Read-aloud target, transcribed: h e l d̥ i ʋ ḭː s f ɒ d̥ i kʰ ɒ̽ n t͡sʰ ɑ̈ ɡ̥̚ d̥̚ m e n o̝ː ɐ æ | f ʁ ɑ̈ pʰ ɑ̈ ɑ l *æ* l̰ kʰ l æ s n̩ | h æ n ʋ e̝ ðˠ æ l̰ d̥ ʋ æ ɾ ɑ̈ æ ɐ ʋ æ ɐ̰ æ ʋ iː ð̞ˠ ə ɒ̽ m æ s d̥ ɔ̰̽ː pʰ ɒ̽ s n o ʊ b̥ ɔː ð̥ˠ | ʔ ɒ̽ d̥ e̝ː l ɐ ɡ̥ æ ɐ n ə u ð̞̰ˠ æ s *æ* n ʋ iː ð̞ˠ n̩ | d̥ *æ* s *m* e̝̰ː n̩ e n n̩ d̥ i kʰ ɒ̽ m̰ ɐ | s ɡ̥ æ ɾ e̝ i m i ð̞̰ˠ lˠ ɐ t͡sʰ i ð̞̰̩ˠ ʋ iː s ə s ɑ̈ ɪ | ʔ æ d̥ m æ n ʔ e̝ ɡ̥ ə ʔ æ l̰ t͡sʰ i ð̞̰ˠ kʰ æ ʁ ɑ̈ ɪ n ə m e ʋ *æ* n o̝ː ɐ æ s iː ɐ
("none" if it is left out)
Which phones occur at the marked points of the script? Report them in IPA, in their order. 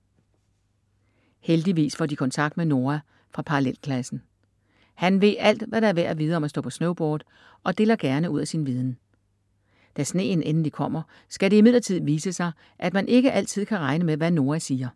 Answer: e, i, æ, n, æ

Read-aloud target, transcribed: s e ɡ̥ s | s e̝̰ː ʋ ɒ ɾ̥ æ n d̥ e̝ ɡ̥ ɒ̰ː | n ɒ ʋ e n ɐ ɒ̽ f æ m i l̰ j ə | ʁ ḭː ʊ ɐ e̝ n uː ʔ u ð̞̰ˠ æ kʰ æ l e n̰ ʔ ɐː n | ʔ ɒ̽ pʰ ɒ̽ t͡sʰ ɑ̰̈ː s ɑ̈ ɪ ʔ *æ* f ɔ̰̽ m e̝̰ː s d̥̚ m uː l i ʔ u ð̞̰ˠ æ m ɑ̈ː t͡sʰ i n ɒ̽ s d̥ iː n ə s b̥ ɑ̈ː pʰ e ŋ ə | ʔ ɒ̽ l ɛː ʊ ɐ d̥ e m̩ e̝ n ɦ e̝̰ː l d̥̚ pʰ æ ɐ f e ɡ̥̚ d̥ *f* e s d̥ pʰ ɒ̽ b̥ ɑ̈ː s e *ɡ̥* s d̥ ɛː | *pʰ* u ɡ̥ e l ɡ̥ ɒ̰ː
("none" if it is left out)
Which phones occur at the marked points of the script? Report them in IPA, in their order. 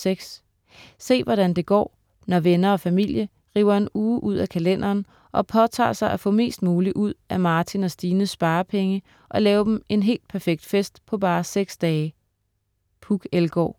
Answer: æ, f, ɡ̥, pʰ

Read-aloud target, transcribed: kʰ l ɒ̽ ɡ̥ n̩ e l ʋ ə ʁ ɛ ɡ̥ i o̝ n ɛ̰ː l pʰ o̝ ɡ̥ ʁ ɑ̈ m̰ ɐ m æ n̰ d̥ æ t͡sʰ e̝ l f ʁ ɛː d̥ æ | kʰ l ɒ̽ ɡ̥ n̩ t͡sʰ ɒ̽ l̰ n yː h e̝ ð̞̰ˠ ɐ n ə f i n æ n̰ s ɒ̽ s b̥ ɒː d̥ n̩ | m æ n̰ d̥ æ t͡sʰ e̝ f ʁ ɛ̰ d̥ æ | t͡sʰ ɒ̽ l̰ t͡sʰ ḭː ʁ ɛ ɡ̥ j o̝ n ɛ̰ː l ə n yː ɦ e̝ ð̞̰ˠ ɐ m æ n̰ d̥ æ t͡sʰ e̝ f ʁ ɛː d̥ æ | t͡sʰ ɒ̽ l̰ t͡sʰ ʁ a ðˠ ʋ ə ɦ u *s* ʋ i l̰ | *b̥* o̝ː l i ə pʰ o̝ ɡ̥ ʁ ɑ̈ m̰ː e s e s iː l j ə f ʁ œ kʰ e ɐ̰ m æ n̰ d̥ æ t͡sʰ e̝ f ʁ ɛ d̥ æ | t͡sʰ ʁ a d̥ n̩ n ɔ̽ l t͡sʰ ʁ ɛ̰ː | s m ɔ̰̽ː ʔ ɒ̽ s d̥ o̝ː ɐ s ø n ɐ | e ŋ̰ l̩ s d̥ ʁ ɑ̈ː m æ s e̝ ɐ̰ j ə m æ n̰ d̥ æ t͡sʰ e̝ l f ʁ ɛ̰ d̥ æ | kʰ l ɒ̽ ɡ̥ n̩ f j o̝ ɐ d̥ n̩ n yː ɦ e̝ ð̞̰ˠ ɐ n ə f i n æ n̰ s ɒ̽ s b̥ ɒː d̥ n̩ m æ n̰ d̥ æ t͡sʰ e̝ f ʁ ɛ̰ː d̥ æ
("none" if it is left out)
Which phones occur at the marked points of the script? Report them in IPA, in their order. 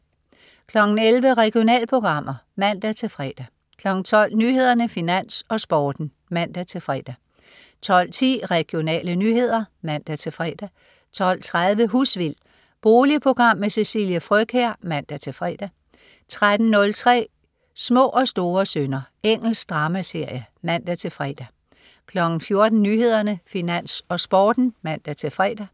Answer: s, b̥

